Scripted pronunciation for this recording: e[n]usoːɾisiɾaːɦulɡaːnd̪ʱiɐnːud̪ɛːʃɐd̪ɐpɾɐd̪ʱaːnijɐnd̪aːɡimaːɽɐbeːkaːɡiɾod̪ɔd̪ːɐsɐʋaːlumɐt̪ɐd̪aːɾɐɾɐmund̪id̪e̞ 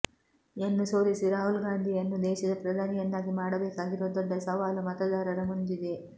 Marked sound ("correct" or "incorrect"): incorrect